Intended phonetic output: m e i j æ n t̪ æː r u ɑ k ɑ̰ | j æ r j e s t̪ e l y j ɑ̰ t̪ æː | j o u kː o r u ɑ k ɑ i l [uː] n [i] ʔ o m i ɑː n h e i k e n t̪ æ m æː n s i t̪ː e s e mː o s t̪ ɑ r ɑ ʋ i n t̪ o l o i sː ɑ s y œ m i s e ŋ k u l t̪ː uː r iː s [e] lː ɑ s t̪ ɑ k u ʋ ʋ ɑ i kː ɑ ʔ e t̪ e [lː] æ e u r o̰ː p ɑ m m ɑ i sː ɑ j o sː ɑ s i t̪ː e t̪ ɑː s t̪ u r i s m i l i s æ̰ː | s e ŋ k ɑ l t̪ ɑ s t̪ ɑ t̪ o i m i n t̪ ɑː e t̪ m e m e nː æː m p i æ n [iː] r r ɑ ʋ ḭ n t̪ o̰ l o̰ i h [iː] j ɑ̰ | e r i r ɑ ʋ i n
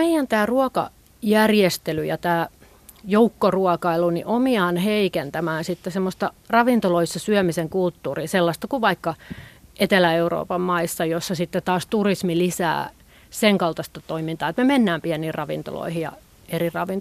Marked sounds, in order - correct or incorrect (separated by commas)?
incorrect, correct, correct, incorrect, correct, incorrect